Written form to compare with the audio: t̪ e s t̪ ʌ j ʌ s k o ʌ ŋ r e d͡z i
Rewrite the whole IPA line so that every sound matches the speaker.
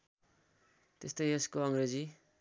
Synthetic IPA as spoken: t̪ e s t̪ ʌ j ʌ s k o ʌ ŋ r e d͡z i